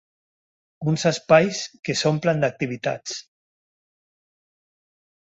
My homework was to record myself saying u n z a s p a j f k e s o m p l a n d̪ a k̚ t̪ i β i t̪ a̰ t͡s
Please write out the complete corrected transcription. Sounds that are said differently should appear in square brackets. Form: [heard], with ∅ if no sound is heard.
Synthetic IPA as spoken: u n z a s p a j [s] k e s o m p l a n d̪ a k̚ t̪ i β i t̪ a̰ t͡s